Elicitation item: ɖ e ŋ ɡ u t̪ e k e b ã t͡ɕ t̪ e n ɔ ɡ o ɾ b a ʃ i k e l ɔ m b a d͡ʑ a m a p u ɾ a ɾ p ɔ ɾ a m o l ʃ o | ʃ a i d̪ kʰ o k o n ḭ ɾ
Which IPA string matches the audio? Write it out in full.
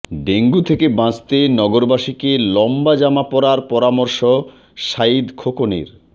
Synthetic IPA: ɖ e ŋ ɡ u t̪ʰ e k e b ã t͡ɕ t̪ e n ɔ ɡ o ɾ b a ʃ i k e l ɔ m b a d͡ʑ a m a p ɔ ɾ a ɾ p ɔ ɾ a m o ɾ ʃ o | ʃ a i d̪ kʰ o k o n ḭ ɾ